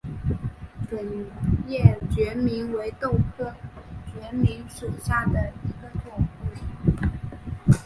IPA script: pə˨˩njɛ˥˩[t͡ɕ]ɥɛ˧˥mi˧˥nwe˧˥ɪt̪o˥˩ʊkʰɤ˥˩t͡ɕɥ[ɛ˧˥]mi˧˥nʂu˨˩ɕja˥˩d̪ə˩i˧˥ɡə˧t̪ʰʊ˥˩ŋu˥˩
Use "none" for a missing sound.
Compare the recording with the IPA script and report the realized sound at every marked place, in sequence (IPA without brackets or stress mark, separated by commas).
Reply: t͡ɕ, ɛ˧˥